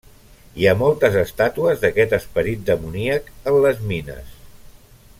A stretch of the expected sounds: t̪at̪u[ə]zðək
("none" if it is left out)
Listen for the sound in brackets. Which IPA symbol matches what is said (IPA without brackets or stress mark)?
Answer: ə